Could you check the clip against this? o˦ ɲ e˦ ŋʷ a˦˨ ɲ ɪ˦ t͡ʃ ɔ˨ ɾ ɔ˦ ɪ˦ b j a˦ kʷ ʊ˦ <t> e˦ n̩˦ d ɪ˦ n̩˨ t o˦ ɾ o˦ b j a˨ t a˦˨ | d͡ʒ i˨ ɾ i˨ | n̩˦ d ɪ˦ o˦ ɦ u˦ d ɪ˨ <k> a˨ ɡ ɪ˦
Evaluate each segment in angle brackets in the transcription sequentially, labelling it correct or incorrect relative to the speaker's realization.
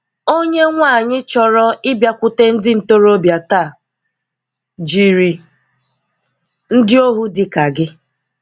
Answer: correct, correct

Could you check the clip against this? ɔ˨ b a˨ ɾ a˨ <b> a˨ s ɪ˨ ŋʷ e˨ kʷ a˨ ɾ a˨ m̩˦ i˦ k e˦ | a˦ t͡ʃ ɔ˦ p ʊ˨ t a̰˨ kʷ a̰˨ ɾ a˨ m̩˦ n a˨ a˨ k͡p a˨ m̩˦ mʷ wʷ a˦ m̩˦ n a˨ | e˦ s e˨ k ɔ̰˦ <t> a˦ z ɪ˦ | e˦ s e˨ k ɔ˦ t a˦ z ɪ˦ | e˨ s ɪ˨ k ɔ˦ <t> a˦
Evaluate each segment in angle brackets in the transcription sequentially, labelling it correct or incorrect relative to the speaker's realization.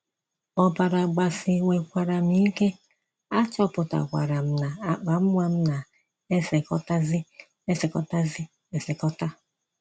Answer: incorrect, correct, correct

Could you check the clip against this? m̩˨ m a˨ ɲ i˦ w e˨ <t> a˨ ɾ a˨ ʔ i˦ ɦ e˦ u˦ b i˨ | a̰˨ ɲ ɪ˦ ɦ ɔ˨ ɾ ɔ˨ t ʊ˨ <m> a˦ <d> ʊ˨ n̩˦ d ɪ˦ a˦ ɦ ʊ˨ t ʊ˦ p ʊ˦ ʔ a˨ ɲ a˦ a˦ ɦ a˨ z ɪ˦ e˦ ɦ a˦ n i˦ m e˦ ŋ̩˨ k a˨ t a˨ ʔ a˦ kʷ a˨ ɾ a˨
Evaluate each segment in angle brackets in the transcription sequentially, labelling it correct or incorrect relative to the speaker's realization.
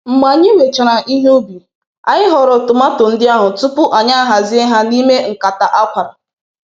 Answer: incorrect, correct, incorrect

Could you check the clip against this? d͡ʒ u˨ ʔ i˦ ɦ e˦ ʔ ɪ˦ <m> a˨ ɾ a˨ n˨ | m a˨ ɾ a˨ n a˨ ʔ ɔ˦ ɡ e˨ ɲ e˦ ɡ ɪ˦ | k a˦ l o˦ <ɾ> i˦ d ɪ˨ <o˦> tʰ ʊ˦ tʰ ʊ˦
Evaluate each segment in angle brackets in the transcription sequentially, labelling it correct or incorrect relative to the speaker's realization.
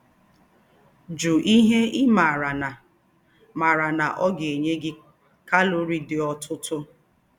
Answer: correct, correct, incorrect

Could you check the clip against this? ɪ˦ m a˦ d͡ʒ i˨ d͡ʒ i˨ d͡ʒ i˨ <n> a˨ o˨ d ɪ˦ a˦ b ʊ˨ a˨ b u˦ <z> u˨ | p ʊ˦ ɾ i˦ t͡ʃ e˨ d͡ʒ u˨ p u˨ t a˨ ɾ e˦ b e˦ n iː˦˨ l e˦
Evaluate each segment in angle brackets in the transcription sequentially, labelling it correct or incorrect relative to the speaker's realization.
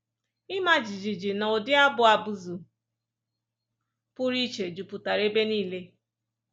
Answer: correct, correct

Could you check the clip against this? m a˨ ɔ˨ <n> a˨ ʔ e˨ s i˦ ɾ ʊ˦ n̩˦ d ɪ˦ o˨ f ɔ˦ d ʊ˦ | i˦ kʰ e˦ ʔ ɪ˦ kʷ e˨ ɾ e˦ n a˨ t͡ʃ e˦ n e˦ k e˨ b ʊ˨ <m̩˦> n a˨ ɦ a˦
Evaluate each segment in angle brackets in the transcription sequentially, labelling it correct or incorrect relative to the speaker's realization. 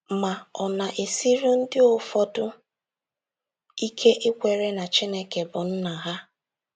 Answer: correct, incorrect

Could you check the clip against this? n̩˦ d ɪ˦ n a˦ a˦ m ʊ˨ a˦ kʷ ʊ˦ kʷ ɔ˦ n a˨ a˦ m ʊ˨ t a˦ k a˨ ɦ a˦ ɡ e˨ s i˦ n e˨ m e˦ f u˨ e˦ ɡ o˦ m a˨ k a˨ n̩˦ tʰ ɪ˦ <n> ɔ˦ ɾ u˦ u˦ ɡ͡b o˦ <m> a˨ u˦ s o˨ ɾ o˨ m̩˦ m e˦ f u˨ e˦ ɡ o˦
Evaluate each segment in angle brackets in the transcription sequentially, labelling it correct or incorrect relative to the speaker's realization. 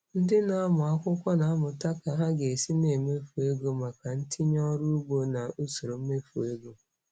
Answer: incorrect, incorrect

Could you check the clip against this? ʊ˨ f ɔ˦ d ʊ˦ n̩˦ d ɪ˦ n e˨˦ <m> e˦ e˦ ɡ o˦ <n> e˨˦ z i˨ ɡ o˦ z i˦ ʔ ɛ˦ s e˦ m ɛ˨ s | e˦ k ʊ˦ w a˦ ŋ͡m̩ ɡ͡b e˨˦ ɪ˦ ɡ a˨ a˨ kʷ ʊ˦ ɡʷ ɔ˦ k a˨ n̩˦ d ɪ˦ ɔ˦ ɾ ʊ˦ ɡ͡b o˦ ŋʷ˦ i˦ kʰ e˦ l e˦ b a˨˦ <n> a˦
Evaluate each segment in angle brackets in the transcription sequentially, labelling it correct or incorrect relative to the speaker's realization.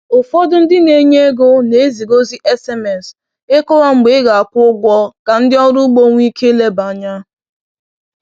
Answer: incorrect, correct, incorrect

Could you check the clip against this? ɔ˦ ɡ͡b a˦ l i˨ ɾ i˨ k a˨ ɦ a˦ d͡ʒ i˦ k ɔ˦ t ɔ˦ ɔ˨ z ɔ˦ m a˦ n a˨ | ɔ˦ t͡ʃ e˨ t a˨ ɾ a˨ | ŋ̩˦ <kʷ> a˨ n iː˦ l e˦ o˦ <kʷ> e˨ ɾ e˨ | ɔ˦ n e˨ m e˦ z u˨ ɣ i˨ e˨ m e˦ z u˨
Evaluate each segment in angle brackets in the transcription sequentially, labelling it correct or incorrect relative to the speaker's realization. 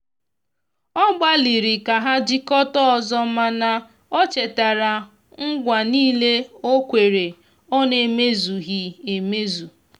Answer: incorrect, correct

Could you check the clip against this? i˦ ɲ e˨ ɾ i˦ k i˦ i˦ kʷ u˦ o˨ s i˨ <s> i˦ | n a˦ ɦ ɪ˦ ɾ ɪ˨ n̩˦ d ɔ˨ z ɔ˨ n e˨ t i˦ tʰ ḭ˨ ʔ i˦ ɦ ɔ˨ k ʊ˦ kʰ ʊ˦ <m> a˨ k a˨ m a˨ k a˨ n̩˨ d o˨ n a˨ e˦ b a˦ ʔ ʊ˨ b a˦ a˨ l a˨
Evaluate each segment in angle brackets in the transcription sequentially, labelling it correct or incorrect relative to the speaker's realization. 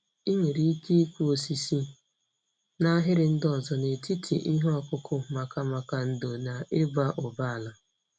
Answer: correct, correct

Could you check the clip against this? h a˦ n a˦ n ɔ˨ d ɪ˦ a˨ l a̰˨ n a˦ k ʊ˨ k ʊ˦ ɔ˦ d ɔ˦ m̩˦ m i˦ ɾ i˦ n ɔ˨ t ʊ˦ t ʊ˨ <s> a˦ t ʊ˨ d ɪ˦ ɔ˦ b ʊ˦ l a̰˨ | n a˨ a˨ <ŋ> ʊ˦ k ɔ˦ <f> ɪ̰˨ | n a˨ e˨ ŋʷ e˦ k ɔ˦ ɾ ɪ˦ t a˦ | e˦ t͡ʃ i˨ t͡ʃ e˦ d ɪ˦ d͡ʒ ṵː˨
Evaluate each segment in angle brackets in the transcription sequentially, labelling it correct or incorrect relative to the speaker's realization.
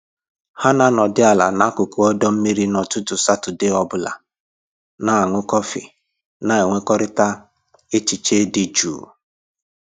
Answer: correct, correct, correct

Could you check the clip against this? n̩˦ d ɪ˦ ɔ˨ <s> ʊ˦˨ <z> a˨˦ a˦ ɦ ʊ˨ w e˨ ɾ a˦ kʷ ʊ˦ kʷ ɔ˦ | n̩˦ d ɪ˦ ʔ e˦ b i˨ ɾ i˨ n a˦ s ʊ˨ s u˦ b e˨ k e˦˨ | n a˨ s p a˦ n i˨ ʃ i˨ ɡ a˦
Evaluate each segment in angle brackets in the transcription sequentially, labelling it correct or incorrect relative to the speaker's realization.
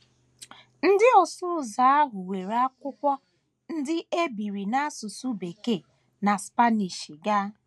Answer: correct, correct

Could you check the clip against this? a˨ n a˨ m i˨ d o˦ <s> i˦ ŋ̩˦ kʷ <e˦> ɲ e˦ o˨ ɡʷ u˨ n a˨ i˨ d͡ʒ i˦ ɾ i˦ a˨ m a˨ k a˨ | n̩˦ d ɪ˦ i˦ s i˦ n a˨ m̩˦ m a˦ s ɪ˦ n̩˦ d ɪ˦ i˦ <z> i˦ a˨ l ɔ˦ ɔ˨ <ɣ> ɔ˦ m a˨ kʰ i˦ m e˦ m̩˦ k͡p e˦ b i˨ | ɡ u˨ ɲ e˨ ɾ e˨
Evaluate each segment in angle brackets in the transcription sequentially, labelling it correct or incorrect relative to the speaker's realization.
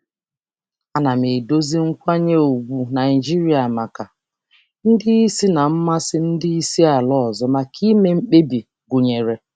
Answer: incorrect, incorrect, incorrect, incorrect

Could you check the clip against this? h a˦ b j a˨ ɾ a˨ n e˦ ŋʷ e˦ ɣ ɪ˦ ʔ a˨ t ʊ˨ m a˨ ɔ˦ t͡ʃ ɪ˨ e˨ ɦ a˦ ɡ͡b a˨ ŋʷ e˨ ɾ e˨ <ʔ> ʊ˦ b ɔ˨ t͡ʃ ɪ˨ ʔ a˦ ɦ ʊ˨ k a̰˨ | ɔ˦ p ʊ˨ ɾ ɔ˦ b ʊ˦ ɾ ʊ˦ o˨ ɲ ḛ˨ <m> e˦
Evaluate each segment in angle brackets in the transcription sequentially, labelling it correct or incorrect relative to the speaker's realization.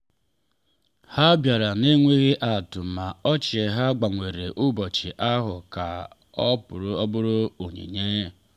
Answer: correct, incorrect

